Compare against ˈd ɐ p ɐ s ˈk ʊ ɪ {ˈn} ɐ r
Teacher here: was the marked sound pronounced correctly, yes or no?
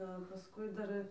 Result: no